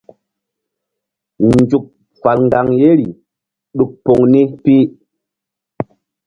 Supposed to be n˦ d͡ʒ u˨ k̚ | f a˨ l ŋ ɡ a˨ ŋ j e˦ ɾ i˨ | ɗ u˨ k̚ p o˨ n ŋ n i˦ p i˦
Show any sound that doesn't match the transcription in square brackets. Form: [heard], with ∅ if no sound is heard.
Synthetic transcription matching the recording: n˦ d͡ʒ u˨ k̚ | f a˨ l ŋ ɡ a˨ ŋ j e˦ ɾ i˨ | ɗ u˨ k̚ p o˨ [∅] ŋ n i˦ p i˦